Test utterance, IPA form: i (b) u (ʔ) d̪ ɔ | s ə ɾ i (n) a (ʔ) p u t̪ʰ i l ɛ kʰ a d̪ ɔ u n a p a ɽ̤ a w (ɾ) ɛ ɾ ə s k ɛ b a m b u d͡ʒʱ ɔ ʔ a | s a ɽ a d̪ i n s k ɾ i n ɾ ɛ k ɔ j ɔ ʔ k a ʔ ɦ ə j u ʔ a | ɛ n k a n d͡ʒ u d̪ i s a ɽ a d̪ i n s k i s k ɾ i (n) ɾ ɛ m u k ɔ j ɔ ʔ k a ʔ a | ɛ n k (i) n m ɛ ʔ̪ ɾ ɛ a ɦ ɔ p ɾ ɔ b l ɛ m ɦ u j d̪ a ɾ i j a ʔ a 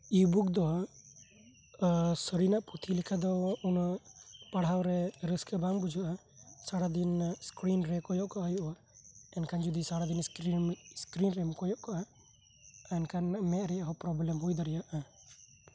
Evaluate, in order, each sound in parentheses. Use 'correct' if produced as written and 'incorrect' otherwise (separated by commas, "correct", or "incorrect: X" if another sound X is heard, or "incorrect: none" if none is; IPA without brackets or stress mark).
correct, incorrect: k, correct, correct, correct, correct, incorrect: a